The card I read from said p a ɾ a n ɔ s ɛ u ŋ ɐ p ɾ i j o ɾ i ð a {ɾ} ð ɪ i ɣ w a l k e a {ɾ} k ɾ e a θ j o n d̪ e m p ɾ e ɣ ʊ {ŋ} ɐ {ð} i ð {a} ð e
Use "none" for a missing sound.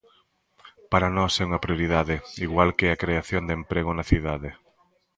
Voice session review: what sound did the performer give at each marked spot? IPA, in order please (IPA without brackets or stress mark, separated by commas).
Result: none, none, n, θ, a